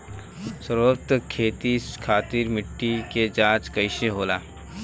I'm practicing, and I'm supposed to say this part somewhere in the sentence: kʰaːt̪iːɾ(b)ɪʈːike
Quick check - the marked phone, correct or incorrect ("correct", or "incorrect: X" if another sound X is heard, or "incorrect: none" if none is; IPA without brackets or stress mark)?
incorrect: m